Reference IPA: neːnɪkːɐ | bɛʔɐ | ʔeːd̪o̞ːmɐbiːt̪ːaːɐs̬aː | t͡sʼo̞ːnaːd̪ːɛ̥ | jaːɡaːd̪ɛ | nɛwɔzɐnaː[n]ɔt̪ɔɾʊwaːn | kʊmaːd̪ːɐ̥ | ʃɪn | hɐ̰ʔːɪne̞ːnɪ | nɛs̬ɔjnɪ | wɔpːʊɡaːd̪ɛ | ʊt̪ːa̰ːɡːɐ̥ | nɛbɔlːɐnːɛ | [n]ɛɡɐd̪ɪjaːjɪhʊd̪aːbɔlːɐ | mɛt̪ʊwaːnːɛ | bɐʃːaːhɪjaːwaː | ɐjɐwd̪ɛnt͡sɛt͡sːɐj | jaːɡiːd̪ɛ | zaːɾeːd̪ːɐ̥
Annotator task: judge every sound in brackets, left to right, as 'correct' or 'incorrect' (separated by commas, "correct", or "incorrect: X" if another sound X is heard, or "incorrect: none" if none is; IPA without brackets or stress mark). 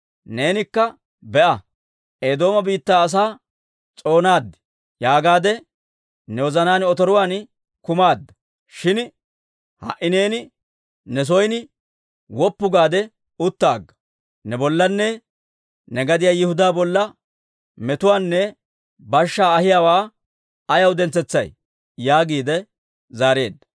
correct, correct